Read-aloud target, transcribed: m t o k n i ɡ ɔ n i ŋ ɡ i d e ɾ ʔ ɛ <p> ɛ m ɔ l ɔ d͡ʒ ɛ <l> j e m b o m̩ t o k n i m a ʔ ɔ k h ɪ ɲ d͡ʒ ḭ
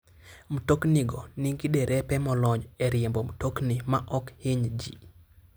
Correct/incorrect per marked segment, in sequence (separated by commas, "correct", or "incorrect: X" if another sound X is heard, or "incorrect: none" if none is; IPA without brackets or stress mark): correct, incorrect: ɾ